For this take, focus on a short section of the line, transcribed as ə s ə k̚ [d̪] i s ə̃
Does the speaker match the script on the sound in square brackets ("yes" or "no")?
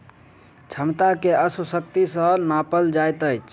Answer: no